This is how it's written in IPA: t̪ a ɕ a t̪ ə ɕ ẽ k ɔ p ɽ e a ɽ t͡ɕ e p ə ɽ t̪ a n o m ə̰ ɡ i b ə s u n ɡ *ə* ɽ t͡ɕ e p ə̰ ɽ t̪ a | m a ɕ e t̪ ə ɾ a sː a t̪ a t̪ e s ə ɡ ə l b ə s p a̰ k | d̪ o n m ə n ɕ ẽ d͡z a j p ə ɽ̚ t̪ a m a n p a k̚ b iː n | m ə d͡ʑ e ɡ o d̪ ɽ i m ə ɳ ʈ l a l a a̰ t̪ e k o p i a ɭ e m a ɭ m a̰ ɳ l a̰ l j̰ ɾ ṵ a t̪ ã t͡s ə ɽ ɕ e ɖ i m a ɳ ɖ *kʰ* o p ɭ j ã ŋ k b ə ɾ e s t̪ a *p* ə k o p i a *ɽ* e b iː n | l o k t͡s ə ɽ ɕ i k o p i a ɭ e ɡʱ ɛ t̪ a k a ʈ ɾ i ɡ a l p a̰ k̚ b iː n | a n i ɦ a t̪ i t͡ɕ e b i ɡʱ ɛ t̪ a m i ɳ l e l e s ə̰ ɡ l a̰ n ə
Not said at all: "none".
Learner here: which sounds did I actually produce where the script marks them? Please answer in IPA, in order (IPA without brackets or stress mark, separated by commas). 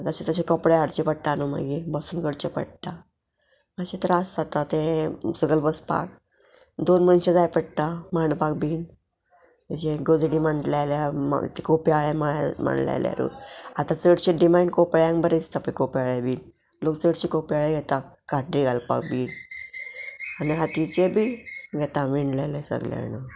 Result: ə, k, p, ɭ